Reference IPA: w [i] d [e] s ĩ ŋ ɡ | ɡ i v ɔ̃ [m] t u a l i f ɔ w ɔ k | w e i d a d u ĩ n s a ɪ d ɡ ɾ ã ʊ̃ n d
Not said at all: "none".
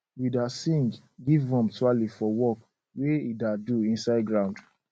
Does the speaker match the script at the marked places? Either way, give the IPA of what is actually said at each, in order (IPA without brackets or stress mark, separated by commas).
i, a, m